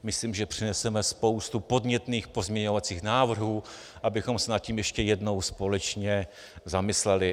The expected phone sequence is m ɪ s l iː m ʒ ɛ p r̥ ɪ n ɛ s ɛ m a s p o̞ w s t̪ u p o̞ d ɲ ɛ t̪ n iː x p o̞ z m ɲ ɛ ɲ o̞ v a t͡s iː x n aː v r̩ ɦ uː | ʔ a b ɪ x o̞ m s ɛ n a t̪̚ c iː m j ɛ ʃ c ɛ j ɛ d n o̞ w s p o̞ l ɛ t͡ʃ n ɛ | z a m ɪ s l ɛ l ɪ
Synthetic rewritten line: m ɪ s l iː m ʒ ɛ p r̥ ɪ n ɛ s ɛ m ɛ s p o̞ w s t̪ u p o̞ d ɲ ɛ t̪ n iː x p o̞ z m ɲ ɛ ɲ o̞ v a t͡s iː x n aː v r̩ ɦ uː | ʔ a b ɪ x o̞ m s ɛ n a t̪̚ c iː m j ɛ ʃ c ɛ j ɛ d n o̞ w s p o̞ l ɛ t͡ʃ ɲ ɛ | z a m ɪ s l ɛ l ɪ

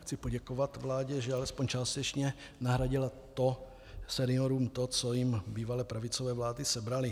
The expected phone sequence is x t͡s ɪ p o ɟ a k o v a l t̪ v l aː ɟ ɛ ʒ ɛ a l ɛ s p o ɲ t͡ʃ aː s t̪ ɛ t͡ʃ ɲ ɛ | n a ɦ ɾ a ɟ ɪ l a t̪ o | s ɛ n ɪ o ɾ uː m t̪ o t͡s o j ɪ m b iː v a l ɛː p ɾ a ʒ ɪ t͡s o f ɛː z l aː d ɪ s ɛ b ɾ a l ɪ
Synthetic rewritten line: x t͡s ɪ p o ɟ ɛ k o v a t̪ v l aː ɟ ɛ ʒ ɛ a l ɛ s p o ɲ t͡ʃ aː s t̪ ɛ t͡ʃ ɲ ɛ | n a ɦ ɾ a ɟ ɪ l a t̪ o | s ɛ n ɪ o ɾ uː m t̪ o t͡s o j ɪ m b iː v a l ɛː p ɾ a v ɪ t͡s o v ɛː v l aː d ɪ s ɛ b ɾ a l ɪ

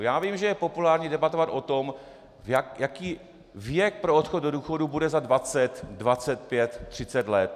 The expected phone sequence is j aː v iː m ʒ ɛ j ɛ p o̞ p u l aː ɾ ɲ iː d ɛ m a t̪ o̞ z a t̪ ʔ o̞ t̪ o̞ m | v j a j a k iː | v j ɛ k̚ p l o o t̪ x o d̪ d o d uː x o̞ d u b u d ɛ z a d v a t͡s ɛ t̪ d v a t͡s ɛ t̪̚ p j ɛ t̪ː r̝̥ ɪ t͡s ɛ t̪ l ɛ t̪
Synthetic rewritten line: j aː v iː m ʒ ɛ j ɛ p o̞ p u l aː ɾ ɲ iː d ɛ b a t̪ o̞ v a t̪ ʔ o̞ t̪ o̞ m | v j a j a k iː | v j ɛ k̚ p ɾ o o t̪ x o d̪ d o d uː x o̞ d u b u d ɛ z a d v a t͡s ɛ t̪ d v a t͡s ɛ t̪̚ p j ɛ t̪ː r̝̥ ɪ t͡s ɛ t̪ l ɛ t̪

